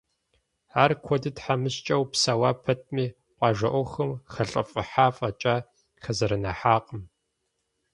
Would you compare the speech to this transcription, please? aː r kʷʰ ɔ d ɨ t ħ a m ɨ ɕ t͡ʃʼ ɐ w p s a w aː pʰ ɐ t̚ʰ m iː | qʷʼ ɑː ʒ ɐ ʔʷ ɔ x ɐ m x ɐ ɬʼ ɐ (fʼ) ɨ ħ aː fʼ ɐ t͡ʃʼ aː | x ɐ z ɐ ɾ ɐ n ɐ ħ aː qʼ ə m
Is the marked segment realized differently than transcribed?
no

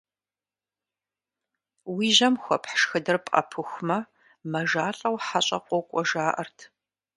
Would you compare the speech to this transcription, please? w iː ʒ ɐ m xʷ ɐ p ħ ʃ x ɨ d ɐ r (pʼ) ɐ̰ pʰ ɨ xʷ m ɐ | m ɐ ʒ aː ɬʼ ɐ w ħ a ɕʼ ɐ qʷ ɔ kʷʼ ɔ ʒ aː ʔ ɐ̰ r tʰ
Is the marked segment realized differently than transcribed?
no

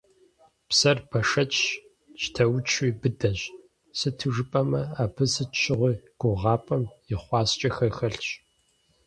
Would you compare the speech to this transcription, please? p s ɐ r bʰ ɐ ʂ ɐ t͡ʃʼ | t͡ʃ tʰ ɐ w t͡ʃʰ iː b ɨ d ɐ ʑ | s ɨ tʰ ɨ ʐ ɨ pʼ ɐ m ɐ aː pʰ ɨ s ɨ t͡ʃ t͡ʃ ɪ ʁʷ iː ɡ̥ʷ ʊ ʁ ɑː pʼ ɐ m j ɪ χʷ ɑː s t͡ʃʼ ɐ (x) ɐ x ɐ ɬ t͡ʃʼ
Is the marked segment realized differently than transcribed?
no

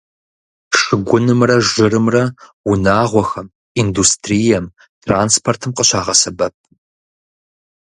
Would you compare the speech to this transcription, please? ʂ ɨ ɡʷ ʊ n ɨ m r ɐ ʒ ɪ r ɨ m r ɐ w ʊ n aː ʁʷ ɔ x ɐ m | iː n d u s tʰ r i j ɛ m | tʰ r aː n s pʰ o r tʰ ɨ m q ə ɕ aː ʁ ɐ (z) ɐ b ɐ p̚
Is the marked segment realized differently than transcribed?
yes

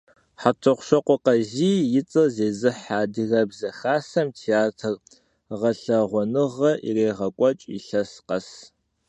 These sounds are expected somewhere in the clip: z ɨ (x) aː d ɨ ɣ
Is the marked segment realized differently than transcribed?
yes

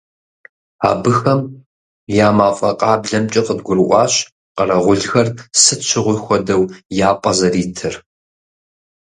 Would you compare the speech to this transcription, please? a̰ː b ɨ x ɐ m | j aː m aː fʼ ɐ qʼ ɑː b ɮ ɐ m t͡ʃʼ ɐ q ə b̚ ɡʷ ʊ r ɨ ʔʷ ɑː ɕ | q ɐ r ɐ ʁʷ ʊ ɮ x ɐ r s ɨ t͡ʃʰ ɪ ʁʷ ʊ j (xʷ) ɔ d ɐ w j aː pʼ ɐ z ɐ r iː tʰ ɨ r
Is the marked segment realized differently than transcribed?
no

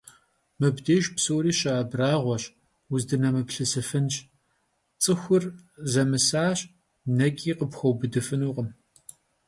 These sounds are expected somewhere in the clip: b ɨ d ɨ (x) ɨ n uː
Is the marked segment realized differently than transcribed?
yes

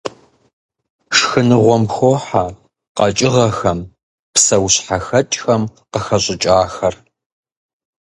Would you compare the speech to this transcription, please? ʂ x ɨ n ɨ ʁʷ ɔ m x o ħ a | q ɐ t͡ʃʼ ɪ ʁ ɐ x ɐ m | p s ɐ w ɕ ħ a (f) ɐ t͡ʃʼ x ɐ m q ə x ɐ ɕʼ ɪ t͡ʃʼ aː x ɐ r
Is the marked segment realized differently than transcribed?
yes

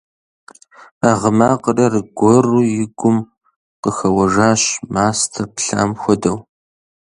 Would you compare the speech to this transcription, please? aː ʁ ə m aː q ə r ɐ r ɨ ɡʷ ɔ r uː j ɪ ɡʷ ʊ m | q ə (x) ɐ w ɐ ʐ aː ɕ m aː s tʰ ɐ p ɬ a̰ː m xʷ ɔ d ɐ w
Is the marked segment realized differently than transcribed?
no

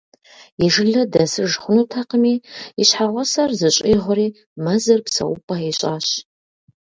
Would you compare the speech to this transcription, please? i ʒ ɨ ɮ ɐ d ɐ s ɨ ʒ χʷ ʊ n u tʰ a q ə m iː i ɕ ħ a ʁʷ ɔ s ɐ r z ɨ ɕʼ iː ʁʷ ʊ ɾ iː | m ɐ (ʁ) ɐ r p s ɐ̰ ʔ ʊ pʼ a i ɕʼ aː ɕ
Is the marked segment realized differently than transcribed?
yes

